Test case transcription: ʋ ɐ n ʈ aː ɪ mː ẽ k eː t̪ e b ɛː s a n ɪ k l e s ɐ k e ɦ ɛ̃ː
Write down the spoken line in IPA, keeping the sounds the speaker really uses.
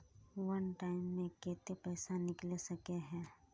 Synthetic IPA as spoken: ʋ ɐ n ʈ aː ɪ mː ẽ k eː t̪ e p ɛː s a n ɪ k l e s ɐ k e ɦ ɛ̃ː

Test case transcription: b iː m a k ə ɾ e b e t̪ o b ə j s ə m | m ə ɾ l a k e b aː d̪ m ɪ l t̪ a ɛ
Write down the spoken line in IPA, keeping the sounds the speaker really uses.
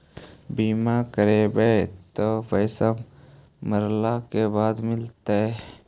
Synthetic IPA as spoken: b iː m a k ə ɾ e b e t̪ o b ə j s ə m | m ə ɾ l a k e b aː d̪ m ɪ l t̪ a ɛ

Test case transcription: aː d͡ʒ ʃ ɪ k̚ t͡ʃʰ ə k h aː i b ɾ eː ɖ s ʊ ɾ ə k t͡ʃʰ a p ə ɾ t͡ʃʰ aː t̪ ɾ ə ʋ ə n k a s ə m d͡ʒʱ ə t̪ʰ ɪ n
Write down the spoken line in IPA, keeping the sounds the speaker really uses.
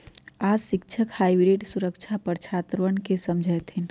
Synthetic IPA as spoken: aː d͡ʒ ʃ ɪ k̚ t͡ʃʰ ə k h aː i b ɾ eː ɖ s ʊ ɾ ə k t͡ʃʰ a p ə ɾ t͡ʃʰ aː t̪ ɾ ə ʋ ə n k e s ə m d͡ʒʱ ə t̪ʰ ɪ n

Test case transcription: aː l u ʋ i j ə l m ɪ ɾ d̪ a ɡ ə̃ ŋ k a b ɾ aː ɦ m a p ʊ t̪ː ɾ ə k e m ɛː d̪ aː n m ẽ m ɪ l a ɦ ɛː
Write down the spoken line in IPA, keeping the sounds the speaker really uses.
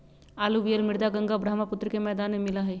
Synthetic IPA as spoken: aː l u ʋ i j ə l m ɪ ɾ d̪ a ɡ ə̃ ŋ ɡ a b ɾ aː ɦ m a p ʊ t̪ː ɾ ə k e m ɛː d̪ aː n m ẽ m ɪ l a ɦ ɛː

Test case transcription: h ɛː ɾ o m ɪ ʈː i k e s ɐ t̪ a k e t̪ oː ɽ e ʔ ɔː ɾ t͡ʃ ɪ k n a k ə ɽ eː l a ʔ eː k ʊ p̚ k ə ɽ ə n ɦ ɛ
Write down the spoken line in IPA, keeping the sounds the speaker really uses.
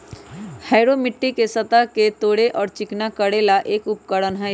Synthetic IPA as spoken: h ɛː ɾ o m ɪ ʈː i k e s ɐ t̪ a k e t̪ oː ɽ e ʔ ɔː ɾ t͡ʃ ɪ k n a k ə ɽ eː l a ʔ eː k ʊ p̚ k ə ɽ ə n ɦ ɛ

